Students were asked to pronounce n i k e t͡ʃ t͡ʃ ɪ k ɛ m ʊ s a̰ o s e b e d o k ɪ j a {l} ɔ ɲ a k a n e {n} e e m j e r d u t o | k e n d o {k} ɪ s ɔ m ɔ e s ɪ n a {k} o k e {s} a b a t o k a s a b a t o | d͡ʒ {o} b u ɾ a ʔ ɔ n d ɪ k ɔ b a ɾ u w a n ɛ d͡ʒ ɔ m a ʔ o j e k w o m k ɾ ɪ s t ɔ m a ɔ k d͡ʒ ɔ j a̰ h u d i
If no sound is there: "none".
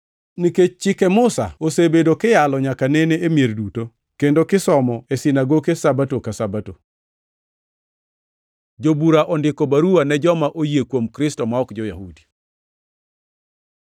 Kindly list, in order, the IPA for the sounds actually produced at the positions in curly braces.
l, n, k, ɡ, s, o

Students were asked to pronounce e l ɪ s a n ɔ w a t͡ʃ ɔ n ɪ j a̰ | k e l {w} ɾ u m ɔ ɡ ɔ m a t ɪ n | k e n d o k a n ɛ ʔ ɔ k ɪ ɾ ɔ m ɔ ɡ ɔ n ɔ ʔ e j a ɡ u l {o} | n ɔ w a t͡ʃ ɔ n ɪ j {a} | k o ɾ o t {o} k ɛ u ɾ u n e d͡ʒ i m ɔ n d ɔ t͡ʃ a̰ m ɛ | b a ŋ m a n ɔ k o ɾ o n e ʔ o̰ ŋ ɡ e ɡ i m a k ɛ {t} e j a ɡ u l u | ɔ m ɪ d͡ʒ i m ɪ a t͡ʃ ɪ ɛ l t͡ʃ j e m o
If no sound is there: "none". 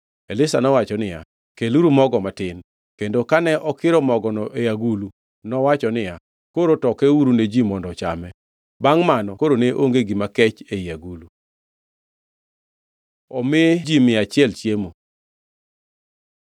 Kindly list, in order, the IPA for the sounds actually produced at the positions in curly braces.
u, u, a, ɔ, t͡ʃ

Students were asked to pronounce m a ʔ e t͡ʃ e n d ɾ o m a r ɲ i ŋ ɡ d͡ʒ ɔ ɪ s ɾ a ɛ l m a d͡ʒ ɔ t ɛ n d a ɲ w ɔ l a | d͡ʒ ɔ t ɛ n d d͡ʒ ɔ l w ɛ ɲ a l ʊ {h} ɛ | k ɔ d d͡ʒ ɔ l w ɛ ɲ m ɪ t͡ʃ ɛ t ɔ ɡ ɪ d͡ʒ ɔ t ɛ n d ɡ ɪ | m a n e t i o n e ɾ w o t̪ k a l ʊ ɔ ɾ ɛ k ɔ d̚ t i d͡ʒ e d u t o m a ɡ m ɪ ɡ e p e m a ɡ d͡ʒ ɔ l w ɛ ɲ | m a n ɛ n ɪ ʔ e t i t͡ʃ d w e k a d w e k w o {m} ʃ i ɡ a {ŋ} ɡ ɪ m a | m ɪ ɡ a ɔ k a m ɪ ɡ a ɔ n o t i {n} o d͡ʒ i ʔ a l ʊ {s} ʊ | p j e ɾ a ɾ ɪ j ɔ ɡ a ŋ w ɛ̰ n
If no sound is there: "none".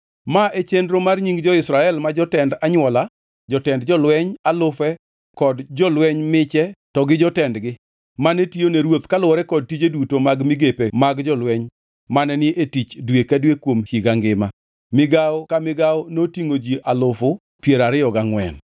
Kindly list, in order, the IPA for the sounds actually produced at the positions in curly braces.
f, m, ŋ, ŋ, f

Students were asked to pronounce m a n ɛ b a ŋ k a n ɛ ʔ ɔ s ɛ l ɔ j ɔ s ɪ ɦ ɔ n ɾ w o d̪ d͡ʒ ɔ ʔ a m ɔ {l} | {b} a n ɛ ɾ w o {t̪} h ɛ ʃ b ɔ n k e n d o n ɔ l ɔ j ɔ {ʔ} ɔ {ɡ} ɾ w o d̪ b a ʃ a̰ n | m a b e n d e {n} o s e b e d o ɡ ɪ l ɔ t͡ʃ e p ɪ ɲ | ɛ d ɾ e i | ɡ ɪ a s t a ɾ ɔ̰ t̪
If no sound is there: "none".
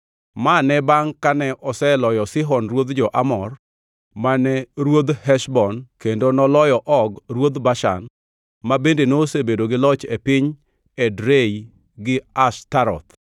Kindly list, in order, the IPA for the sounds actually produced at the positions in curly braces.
r, m, d̪, ʔ, ɡ, n

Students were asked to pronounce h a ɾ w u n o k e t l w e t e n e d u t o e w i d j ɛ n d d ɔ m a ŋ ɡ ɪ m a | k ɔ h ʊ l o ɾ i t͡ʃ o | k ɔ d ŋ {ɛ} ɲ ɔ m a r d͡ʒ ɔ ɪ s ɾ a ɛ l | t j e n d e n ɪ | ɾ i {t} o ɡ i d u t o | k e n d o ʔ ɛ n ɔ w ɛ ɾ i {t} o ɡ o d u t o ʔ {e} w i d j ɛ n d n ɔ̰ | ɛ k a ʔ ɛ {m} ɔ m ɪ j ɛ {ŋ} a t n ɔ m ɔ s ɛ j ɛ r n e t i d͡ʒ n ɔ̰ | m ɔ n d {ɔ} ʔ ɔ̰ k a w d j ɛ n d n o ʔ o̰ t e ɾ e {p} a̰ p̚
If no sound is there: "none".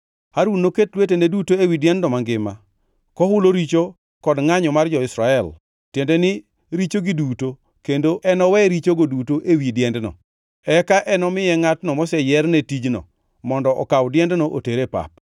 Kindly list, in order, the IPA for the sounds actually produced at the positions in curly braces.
a, t͡ʃ, t͡ʃ, e, n, ŋ, ɔ, p

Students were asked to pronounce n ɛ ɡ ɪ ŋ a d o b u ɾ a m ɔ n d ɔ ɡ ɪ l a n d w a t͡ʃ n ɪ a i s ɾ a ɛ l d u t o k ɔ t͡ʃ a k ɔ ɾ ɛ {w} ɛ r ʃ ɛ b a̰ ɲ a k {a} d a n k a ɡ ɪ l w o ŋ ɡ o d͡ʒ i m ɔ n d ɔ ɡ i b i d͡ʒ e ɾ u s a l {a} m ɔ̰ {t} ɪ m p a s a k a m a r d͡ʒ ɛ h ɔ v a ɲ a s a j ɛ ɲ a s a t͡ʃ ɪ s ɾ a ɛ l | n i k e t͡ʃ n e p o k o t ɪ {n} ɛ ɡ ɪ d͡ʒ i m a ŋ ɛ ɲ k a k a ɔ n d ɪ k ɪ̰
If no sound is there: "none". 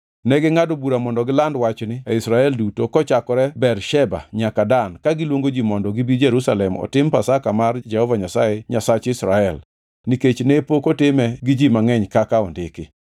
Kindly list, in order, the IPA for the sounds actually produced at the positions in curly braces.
b, a, ɛ, t, m

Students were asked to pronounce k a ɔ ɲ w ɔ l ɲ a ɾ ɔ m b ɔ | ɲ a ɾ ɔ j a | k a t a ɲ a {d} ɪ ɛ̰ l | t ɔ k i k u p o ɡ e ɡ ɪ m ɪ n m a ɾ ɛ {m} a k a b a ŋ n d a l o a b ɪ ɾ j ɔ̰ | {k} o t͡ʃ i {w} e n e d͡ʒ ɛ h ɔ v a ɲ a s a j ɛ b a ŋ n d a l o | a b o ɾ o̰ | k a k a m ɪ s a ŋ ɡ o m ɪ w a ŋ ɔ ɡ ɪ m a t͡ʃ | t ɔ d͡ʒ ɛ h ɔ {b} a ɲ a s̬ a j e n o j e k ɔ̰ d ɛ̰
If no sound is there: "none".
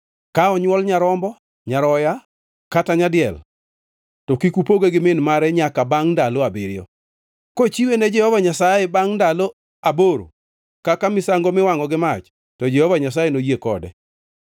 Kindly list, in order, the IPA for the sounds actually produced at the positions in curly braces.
d, ɲ, k, w, v

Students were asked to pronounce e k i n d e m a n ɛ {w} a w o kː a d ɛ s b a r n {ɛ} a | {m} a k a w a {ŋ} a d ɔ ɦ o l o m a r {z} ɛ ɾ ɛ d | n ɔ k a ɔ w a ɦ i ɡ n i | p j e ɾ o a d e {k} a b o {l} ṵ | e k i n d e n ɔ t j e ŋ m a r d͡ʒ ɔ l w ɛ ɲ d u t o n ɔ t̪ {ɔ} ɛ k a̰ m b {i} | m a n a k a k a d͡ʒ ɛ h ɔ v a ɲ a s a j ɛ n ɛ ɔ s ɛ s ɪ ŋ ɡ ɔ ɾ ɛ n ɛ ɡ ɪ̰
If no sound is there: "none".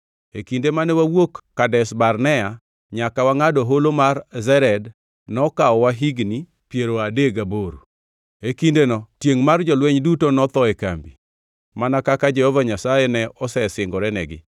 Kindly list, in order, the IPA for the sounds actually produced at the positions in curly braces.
w, ɛ, ɲ, ŋ, z, ɡ, ɾ, ɔ, i

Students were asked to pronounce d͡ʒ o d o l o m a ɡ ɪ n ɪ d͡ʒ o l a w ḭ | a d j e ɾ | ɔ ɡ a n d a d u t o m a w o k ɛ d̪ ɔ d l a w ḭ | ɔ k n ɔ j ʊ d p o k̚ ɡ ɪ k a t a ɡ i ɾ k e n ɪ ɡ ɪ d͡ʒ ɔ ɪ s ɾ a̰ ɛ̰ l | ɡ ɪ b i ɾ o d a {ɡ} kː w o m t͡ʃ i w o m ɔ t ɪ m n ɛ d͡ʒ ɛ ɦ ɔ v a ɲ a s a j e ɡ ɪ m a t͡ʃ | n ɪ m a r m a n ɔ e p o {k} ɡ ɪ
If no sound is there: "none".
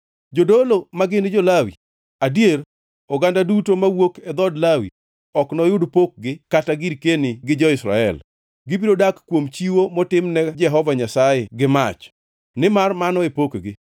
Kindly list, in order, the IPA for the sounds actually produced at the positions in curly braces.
k, k

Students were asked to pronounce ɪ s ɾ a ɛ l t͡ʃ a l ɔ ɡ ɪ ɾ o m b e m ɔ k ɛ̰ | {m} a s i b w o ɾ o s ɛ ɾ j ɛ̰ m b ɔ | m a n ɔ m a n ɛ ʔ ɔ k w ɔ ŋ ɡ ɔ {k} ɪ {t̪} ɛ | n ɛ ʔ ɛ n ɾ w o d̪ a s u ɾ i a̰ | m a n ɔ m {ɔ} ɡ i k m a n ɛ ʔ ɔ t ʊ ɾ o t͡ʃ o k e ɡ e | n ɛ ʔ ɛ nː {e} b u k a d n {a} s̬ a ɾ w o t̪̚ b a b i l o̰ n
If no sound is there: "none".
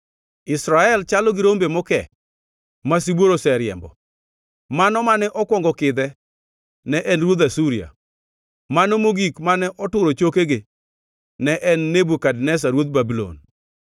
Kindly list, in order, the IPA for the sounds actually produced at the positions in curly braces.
m, k, d̪, o, e, ɛ

